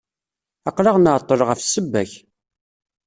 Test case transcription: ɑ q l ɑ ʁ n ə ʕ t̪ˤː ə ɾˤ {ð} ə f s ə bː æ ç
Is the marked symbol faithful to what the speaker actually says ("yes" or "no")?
no